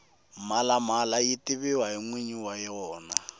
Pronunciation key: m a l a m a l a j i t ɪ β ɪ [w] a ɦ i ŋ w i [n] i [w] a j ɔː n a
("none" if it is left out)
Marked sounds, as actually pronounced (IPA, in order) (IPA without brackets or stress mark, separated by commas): w, ɲ, w